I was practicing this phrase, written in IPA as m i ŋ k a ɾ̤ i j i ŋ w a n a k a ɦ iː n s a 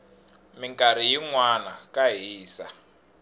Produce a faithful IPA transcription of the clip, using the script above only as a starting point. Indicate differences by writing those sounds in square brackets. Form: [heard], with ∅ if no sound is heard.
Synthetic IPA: m i ŋ k a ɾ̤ i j i ŋ w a n a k a ɦ iː [∅] s a

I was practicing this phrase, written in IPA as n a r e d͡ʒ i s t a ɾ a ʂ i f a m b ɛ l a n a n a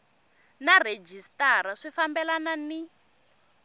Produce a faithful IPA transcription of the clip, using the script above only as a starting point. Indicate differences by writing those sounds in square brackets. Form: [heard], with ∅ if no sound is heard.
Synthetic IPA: n a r e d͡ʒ i s t a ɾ a ʂ i f a m b ɛ l a n a n [i]

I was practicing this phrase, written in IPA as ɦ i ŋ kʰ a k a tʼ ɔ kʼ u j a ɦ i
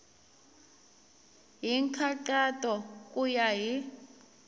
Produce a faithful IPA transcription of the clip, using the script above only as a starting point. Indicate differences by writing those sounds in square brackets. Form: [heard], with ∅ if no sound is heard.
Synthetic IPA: ɦ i ŋ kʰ a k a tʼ ɔ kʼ u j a ɦ i

